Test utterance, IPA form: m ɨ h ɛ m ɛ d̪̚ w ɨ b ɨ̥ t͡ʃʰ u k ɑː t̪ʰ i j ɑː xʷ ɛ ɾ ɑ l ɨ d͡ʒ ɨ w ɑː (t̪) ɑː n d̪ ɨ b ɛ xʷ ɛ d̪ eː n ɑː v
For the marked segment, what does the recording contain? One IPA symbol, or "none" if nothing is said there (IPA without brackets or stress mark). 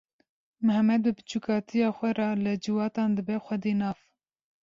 t̪